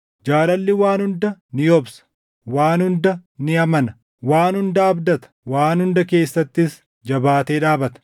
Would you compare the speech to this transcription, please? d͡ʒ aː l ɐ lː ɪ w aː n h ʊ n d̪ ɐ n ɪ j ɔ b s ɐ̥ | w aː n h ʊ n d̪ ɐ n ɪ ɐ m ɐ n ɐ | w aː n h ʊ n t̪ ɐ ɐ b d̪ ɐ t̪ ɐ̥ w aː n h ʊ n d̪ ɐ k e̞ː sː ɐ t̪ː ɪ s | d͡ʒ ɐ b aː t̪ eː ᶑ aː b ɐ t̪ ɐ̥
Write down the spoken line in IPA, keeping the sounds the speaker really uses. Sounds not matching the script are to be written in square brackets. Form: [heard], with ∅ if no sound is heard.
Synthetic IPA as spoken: d͡ʒ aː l ɐ lː ɪ w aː n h ʊ n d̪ ɐ n ɪ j ɔ b s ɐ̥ | w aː n h ʊ n d̪ ɐ n ɪ ɐ m ɐ n ɐ | w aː n h ʊ n [d̪] ɐ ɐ b d̪ ɐ t̪ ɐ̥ w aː n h ʊ n d̪ ɐ k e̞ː sː ɐ t̪ː ɪ s | d͡ʒ ɐ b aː t̪ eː ᶑ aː b ɐ t̪ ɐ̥